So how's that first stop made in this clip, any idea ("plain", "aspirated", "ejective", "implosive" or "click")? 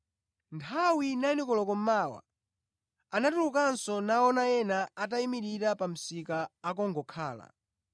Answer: aspirated